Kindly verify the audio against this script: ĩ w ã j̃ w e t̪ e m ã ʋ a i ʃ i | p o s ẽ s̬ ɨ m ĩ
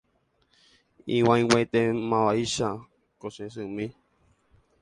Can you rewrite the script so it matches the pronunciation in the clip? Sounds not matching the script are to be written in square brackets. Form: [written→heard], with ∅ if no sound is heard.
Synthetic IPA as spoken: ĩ w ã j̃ w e t̪ e m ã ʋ a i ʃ [i→a] | [p→k] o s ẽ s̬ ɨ m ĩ